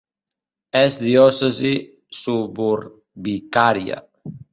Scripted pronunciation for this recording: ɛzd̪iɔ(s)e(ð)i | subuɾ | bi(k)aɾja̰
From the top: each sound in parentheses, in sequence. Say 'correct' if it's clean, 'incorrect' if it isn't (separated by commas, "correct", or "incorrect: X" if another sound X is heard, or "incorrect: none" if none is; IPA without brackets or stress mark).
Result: correct, incorrect: z, correct